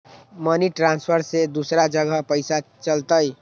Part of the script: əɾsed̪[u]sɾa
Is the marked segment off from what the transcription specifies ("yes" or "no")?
no